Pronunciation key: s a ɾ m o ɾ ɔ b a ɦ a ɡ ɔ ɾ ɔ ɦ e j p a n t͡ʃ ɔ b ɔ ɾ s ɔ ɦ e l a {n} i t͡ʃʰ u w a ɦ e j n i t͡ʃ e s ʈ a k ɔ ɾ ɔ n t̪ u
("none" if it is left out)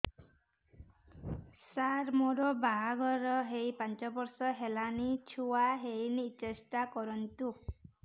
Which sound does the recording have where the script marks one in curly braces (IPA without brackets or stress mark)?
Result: n